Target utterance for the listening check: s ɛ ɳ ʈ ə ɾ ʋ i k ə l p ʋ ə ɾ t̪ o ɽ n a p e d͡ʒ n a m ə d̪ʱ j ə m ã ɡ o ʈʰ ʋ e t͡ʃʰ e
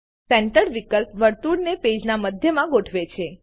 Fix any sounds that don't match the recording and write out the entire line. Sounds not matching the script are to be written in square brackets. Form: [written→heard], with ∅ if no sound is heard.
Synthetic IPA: s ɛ ɳ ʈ ə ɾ ʋ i k ə l p ʋ ə ɾ t̪ [o→u] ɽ n [a→e] p e d͡ʒ n a m ə d̪ʱ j ə m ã ɡ o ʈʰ ʋ e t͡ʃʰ e